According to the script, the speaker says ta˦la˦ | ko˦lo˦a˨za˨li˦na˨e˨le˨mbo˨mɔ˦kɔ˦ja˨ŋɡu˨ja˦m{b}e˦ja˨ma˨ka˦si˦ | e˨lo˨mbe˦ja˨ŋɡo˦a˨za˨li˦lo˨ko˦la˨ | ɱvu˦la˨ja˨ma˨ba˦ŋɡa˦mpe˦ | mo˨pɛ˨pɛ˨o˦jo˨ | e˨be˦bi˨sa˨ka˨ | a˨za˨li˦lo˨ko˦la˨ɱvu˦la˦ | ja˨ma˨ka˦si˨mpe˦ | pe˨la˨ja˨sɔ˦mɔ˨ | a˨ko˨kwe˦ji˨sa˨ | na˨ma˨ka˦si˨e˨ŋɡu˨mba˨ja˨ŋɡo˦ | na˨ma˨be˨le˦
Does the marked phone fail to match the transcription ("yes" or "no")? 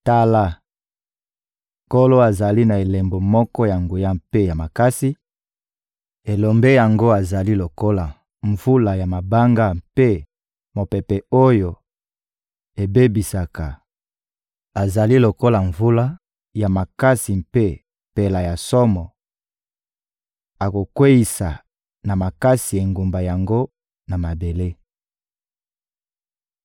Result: yes